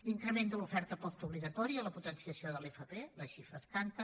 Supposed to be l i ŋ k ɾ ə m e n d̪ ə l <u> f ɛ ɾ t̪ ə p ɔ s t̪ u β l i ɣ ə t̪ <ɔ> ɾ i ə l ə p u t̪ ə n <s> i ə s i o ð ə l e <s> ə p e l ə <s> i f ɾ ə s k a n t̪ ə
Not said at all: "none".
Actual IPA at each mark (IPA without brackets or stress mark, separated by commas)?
u, ɔ, s, f, ʃ